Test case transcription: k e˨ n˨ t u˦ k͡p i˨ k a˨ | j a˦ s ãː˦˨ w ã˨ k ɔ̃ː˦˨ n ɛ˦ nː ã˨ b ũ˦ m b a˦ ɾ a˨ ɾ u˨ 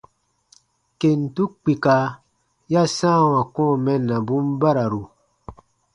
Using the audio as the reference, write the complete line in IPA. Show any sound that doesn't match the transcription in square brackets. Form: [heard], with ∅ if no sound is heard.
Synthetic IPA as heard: k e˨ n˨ t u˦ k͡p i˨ k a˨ | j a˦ s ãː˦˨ w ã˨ k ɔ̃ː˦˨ [m] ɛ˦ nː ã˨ b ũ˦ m b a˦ ɾ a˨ ɾ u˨